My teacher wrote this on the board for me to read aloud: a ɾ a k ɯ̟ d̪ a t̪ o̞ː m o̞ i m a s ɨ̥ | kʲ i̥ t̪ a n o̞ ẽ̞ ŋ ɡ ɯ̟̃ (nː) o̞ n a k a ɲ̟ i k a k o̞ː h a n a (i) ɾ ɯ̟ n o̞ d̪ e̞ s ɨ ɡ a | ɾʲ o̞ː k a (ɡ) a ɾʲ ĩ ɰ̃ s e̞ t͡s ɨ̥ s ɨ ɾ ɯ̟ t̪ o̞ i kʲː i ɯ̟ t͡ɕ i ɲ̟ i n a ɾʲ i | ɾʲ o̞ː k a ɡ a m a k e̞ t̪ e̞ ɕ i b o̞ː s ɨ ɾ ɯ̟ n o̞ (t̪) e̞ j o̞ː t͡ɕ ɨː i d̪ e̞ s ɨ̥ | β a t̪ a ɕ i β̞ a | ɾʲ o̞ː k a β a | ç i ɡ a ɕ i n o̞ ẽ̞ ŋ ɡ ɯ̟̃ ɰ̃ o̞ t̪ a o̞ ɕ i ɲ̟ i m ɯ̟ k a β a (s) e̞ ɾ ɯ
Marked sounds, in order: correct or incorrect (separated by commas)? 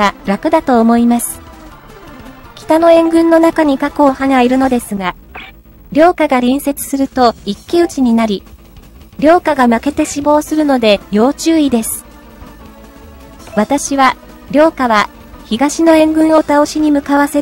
correct, correct, correct, incorrect, correct